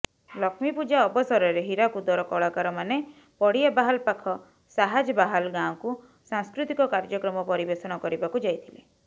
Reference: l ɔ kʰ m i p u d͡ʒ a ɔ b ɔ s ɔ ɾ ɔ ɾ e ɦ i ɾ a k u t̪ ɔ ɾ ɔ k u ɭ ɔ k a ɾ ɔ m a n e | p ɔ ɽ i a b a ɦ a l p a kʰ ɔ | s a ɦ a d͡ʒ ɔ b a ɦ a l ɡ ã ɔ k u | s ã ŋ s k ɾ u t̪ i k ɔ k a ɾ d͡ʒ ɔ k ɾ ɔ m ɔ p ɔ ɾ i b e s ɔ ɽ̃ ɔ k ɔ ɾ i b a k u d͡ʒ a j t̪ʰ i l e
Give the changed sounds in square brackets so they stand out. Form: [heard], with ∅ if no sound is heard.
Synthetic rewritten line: l ɔ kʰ m i p u d͡ʒ a ɔ b ɔ s ɔ ɾ ɔ ɾ e ɦ i ɾ a k u [d̪] ɔ ɾ ɔ k [ɔ] ɭ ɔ k a ɾ ɔ m a n e | p ɔ ɽ i a b a ɦ a l p a kʰ ɔ | s a ɦ a d͡ʒ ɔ b a ɦ a l ɡ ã ɔ k u | s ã ŋ s k ɾ u t̪ i k ɔ k a ɾ d͡ʒ ɔ k ɾ ɔ m ɔ p ɔ ɾ i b e s ɔ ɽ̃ ɔ k ɔ ɾ i b a k u d͡ʒ a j t̪ʰ i l e

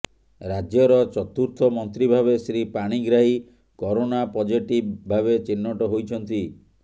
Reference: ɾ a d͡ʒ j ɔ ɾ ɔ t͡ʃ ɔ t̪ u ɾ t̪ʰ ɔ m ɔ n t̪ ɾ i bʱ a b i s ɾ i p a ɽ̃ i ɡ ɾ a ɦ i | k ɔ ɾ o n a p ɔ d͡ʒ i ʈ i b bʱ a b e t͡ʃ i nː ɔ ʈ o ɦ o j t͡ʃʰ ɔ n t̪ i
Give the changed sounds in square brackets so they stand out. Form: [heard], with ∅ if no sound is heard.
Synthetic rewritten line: ɾ a d͡ʒ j ɔ ɾ ɔ t͡ʃ ɔ t̪ u ɾ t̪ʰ ɔ m ɔ n t̪ ɾ i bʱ a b [e] s ɾ i p a ɽ̃ i ɡ ɾ a ɦ i | k ɔ ɾ o n a p ɔ d͡ʒ i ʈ i b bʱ a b e t͡ʃ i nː ɔ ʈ [ɔ] ɦ o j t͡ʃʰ ɔ n t̪ i

